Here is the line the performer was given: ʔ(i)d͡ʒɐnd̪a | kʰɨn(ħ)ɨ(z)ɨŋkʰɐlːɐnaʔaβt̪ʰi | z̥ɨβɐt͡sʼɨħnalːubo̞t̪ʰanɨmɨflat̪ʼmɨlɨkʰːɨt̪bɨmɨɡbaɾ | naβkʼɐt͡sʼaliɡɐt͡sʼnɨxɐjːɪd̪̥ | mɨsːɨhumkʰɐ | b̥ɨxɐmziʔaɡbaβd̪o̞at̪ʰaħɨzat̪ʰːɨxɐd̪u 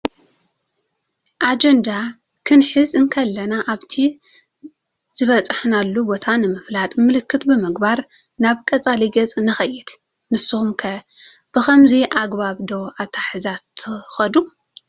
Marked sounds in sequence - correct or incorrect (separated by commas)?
incorrect, correct, correct